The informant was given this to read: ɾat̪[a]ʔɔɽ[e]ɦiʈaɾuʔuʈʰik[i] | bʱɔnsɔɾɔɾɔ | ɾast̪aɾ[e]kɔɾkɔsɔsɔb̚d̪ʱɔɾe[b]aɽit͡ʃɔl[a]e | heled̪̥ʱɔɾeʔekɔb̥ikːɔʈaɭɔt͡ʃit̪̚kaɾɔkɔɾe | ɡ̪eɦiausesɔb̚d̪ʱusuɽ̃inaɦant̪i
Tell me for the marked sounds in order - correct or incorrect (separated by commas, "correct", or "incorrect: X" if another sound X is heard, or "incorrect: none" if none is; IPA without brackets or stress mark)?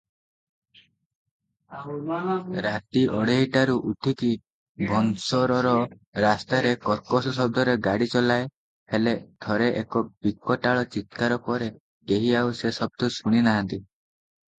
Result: incorrect: i, correct, correct, correct, incorrect: ɡ, correct